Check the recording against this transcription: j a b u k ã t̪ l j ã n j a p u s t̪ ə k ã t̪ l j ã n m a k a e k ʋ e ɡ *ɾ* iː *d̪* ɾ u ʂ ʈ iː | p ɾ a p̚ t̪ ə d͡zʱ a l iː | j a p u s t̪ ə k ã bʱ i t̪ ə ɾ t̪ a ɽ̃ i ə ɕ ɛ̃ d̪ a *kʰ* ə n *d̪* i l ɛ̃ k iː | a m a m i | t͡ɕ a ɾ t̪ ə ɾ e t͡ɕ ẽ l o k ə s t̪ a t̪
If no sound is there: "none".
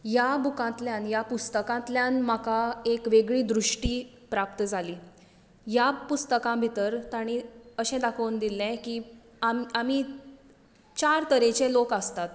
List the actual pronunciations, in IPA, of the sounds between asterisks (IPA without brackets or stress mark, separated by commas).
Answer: ɭ, d̪, kʰ, d̪